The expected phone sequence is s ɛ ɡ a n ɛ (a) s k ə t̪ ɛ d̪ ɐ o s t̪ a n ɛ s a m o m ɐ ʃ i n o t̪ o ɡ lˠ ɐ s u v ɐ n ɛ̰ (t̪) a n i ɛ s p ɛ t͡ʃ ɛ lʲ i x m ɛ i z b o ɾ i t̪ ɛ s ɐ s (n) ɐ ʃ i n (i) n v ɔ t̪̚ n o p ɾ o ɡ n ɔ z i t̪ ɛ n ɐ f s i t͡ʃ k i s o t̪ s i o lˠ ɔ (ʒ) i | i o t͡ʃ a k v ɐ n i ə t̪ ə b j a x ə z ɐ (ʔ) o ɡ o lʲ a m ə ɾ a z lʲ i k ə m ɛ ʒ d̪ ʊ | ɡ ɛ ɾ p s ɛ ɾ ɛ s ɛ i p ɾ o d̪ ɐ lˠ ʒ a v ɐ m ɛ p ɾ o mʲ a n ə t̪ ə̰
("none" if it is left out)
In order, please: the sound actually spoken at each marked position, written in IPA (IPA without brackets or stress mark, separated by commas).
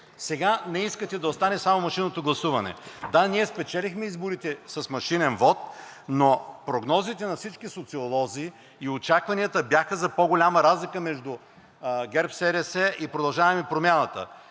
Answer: i, d̪, m, ɛ, z, p